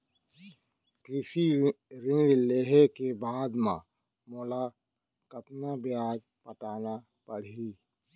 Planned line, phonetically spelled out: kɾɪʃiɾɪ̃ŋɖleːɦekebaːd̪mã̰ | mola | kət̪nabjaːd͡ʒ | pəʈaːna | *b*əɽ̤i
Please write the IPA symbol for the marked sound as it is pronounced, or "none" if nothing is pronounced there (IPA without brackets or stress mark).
p